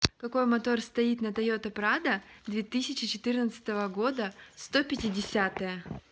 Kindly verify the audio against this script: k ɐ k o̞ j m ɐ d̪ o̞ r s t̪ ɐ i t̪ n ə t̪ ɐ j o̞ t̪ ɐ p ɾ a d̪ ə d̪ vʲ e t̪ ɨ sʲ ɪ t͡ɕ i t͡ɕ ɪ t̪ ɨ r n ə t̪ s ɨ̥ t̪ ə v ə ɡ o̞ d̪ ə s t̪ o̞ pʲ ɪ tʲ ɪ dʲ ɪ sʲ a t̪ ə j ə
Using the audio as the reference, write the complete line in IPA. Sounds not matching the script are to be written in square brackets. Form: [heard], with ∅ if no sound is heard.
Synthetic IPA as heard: k ɐ k o̞ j m ɐ [t̪] o̞ r s t̪ ɐ i t̪ n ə t̪ ɐ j o̞ t̪ ɐ p ɾ a d̪ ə d̪ vʲ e t̪ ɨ sʲ ɪ t͡ɕ [ɪ] t͡ɕ ɪ t̪ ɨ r n ə t̪ s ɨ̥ t̪ ə v ə ɡ o̞ d̪ ə s t̪ o̞ pʲ ɪ tʲ ɪ dʲ ɪ sʲ a t̪ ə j ə